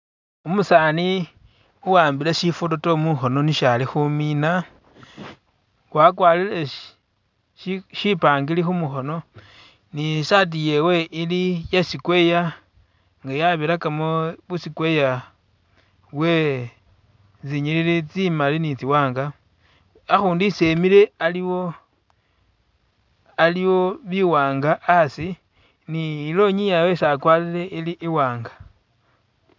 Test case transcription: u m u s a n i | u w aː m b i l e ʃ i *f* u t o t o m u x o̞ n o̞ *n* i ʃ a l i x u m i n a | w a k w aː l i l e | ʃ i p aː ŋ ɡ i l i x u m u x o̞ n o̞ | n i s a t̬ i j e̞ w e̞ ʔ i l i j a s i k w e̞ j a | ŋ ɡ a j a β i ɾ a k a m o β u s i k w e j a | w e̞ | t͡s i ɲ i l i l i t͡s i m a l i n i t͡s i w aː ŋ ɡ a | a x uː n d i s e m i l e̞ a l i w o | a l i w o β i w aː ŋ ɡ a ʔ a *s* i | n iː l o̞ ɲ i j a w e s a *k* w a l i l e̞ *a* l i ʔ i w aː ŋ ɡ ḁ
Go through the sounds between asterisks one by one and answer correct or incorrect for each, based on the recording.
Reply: correct, correct, correct, correct, incorrect: i

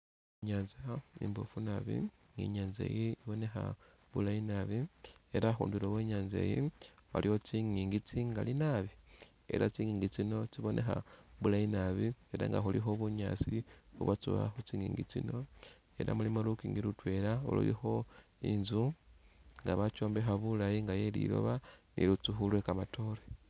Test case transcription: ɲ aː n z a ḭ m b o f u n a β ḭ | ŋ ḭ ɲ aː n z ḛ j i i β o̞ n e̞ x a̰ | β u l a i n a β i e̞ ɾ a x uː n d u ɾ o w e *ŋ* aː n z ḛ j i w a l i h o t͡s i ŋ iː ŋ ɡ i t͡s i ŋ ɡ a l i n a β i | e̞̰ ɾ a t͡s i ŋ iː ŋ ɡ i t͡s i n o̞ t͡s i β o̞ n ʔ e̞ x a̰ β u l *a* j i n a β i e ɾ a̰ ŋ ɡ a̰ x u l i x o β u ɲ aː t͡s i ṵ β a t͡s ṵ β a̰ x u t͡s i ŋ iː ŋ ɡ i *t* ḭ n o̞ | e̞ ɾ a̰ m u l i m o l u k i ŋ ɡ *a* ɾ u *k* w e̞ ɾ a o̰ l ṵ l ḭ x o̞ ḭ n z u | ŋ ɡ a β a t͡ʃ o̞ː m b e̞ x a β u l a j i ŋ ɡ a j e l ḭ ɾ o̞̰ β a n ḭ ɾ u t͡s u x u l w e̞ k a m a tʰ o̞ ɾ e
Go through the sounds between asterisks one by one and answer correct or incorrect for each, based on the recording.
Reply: incorrect: ɲ, correct, incorrect: t͡s, incorrect: i, incorrect: t

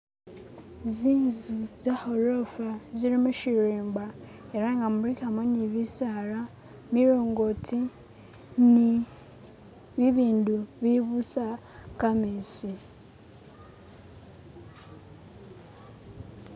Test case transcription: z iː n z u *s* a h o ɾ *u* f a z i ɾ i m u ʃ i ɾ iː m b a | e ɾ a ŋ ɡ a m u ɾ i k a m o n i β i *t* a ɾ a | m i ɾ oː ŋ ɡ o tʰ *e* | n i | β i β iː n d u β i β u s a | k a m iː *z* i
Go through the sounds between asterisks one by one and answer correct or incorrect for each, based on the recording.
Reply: incorrect: z, incorrect: o, incorrect: s, incorrect: i, incorrect: s

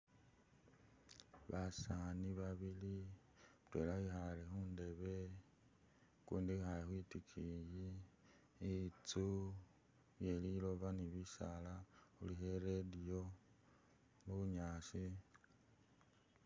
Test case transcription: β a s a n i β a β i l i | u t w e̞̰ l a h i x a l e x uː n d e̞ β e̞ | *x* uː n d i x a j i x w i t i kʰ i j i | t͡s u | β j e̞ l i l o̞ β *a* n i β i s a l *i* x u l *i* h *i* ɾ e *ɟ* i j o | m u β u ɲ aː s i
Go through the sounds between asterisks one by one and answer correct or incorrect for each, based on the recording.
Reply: incorrect: k, correct, incorrect: a, correct, incorrect: e, incorrect: d

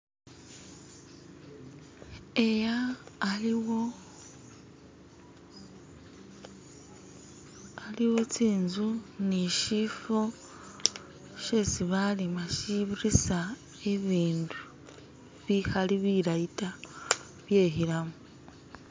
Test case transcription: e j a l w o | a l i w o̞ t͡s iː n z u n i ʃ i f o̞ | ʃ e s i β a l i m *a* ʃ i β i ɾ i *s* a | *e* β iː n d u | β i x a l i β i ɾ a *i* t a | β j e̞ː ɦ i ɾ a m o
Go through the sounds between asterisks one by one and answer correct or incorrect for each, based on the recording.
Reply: correct, correct, correct, correct

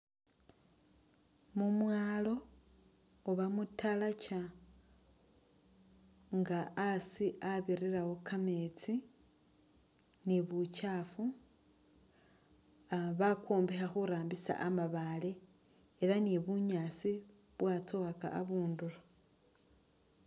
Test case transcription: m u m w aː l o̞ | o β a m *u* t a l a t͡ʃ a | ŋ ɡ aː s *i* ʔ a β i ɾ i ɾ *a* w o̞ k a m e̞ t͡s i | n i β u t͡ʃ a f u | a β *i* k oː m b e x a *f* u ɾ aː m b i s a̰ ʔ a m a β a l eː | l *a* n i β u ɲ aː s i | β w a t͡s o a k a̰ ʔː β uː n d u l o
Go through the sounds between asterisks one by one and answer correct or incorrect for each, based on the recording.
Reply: correct, correct, correct, incorrect: a, incorrect: x, correct

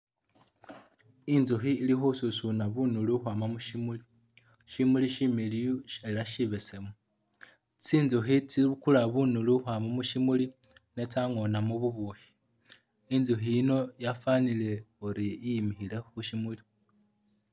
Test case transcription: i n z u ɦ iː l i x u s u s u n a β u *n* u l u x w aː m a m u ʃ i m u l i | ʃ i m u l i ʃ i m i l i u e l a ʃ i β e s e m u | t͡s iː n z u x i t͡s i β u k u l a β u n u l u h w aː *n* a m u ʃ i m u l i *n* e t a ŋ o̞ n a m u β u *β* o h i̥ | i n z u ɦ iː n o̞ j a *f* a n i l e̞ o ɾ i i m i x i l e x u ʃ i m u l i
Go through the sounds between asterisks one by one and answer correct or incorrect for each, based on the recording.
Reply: correct, incorrect: m, correct, correct, correct

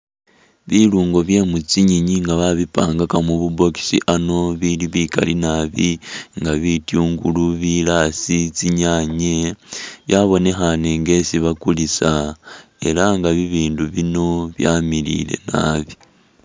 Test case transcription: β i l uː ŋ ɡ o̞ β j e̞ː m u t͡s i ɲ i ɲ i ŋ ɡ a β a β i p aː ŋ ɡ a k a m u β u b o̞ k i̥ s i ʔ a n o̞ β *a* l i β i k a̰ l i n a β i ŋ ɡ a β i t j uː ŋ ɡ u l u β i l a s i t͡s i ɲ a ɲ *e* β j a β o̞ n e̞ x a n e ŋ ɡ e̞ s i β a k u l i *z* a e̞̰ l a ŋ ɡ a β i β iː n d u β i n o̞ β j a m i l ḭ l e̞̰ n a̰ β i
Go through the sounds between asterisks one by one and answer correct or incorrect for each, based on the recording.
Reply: incorrect: i, correct, incorrect: s

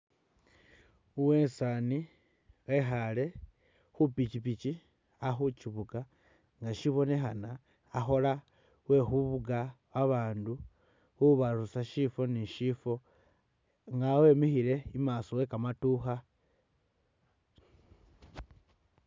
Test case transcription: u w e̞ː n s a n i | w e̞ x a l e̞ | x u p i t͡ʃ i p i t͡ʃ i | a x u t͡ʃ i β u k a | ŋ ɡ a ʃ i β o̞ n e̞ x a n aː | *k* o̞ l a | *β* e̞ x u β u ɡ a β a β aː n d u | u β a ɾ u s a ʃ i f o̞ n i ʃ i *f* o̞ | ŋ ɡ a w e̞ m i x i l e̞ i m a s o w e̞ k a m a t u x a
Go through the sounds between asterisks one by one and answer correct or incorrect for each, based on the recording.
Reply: incorrect: x, incorrect: w, correct

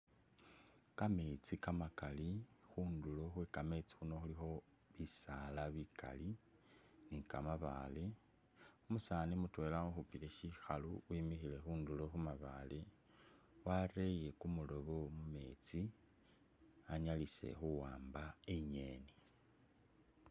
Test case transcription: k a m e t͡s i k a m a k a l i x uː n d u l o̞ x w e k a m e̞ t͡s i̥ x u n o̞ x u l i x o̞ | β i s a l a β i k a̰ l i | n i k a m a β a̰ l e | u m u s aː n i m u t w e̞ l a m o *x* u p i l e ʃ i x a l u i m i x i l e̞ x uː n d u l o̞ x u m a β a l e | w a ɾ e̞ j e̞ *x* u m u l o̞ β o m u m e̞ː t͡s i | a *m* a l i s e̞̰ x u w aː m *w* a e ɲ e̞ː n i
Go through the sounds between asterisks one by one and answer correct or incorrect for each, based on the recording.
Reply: correct, incorrect: k, incorrect: ɲ, incorrect: b

